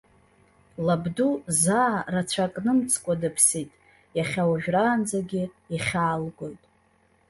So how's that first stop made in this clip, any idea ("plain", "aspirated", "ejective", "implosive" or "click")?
plain